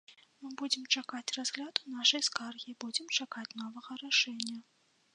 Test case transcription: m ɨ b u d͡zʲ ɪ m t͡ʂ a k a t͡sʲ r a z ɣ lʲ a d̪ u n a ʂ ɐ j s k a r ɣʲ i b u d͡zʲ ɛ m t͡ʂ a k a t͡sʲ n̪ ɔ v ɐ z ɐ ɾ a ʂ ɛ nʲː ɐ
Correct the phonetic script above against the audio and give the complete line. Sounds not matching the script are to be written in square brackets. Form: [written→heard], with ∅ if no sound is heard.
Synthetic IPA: m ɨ b u d͡zʲ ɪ m t͡ʂ a k a t͡sʲ r a z ɣ lʲ a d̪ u n a ʂ ɐ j s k a r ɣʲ i b u d͡zʲ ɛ m t͡ʂ a k a t͡sʲ n̪ ɔ v ɐ [z→ɣ] ɐ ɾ a ʂ ɛ nʲː ɐ